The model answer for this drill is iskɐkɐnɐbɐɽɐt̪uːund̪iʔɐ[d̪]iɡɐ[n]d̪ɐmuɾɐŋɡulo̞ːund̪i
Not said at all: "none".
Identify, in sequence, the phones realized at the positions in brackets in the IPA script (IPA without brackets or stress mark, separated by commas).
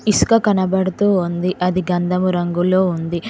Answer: d̪, n